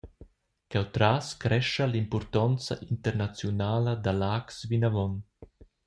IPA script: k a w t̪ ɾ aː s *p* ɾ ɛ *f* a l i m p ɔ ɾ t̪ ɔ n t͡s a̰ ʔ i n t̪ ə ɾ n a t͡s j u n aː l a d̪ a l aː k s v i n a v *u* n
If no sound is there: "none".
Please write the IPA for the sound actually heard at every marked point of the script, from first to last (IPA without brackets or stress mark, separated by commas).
k, ʃ, ɔ